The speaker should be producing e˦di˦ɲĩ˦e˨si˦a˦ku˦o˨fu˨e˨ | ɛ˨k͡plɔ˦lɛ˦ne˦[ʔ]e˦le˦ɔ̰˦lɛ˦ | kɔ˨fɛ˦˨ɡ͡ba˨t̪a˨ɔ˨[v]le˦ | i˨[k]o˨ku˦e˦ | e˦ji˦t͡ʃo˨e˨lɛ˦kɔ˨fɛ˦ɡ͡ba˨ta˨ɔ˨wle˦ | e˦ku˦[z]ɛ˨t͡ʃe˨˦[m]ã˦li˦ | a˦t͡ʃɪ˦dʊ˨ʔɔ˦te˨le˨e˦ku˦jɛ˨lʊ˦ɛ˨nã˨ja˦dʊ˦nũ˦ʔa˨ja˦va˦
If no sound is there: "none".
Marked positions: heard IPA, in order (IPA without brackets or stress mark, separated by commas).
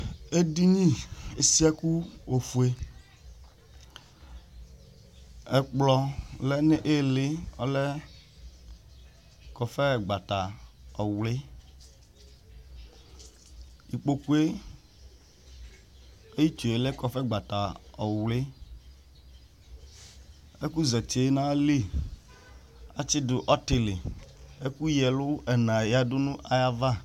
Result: ʔ, w, k͡p, z, n